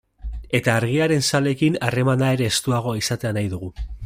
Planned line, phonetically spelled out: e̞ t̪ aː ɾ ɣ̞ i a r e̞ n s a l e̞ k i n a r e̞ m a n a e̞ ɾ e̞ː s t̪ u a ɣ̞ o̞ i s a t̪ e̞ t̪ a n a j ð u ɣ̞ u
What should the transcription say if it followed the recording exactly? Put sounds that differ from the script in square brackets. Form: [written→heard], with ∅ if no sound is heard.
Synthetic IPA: e̞ t̪ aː ɾ ɣ̞ i a [r→ɾ] e̞ n s a l e̞ k i n a r e̞ m a n a e̞ ɾ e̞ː s t̪ u a ɣ̞ o̞ i s a t̪ e̞ [t̪→∅] a n a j ð u ɣ̞ u